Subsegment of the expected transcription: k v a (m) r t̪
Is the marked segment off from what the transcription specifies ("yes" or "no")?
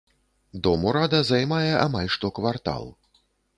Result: yes